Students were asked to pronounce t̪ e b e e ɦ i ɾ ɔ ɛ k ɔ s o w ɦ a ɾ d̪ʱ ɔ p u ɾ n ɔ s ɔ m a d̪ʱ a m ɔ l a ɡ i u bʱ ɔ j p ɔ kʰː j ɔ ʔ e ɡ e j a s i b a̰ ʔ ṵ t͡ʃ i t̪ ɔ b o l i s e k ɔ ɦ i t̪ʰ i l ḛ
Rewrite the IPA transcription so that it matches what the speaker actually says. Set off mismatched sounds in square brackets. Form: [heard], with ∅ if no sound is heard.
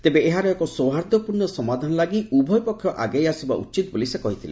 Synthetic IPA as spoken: t̪ e b e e ɦ [a] ɾ ɔ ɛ k ɔ s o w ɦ a ɾ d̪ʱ ɔ p u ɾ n ɔ s ɔ m a d̪ʱ a [n] ɔ l a ɡ i u bʱ ɔ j p ɔ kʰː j ɔ ʔ [a] ɡ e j a s i b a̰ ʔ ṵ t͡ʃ i t̪ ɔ b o l i s e k ɔ ɦ i t̪ʰ i l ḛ